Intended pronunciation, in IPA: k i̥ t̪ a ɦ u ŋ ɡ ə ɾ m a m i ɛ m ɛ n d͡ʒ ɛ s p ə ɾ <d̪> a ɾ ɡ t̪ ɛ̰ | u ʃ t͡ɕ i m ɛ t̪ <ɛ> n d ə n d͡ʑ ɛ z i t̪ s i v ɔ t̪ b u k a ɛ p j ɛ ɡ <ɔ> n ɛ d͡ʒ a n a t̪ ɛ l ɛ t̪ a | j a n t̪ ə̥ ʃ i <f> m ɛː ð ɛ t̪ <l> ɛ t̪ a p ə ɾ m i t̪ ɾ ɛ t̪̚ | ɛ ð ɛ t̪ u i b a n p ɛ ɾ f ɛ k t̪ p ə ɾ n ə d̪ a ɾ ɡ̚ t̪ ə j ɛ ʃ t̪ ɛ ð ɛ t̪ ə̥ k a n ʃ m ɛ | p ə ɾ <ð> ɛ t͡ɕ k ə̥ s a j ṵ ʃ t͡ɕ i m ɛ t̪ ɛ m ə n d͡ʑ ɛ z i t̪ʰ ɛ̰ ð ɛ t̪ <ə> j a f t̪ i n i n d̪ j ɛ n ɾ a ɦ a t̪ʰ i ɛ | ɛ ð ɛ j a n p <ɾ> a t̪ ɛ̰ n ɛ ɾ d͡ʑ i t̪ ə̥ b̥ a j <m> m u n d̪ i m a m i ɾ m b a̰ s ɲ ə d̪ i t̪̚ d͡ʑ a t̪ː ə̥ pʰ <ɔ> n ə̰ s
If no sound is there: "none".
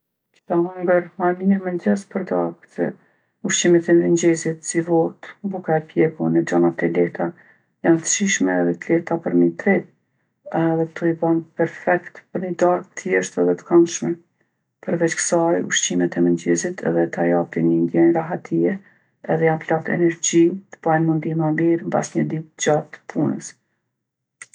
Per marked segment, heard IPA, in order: d̪, ɛ, u, ʃ, l, v, a, l, n, u

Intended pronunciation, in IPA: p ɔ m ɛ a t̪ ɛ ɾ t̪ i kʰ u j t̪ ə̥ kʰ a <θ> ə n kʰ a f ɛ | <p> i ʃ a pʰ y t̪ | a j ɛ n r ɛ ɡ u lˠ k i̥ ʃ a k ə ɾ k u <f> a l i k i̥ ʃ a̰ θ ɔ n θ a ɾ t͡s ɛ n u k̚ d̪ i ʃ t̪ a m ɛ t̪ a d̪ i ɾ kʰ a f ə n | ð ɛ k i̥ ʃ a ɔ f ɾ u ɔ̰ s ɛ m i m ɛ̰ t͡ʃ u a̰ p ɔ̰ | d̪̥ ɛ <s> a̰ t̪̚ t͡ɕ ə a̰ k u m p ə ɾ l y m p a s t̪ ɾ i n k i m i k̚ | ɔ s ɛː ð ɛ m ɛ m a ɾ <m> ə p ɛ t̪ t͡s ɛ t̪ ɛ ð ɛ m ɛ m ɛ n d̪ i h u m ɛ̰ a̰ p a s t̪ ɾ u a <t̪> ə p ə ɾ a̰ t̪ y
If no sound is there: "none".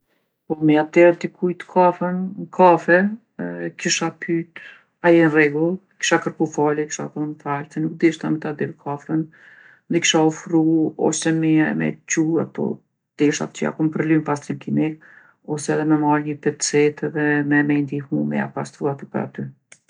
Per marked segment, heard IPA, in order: f, k, f, ʃ, ɲ, t̪

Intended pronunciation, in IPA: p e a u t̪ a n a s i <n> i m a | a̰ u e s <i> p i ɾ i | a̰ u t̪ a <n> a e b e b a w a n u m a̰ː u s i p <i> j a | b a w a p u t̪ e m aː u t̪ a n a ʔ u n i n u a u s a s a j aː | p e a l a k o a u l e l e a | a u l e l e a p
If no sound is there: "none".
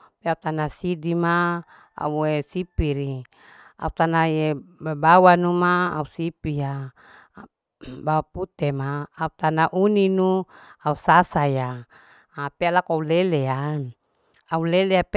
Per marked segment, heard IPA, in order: d, i, n, i

